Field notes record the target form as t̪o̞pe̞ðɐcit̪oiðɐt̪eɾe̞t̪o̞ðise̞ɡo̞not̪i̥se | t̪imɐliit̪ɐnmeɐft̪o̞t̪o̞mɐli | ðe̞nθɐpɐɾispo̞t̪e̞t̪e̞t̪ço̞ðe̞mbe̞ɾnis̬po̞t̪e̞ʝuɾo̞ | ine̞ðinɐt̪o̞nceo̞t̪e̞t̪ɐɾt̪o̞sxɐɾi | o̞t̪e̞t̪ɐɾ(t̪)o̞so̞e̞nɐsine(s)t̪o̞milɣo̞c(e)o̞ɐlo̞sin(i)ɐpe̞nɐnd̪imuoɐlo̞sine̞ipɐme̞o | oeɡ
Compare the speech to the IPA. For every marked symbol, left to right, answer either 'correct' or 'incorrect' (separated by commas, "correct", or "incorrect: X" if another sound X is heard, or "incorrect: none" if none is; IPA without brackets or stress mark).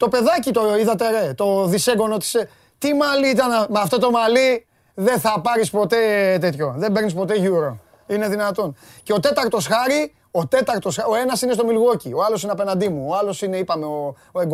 correct, correct, incorrect: i, incorrect: e